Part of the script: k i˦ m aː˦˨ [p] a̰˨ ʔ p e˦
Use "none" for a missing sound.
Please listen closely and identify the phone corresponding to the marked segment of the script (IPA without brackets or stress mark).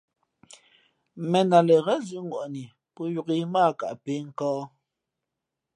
k